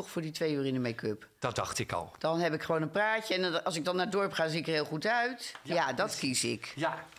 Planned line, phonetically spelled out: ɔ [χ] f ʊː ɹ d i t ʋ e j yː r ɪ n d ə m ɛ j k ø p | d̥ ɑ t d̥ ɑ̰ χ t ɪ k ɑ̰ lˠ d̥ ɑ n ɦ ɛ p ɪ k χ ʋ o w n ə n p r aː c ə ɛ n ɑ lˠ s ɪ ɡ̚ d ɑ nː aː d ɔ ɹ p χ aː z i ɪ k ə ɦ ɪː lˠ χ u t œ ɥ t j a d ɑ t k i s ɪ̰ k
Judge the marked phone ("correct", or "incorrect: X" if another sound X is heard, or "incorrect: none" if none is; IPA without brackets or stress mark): correct